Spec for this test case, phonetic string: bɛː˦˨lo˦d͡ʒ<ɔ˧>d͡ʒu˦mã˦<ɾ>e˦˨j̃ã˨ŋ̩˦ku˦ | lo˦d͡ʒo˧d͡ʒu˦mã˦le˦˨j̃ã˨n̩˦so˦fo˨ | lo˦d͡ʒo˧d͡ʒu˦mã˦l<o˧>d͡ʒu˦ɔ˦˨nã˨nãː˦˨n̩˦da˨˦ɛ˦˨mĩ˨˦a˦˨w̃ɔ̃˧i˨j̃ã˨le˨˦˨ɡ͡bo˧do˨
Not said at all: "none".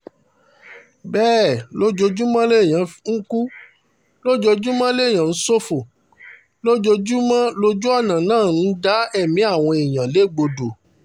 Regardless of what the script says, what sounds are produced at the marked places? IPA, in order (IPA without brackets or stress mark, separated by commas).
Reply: o˧, l, o˧